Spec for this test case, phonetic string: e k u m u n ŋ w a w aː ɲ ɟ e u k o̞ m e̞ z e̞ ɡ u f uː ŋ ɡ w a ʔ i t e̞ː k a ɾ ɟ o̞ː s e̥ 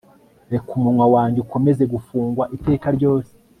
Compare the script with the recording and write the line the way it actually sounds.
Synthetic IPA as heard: e k u m u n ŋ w a w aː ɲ ɟ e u k o̞ m e̞ z e̞ ɡ u f uː ŋ ɡ w a ʔ i t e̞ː k a ɾ ɟ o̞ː s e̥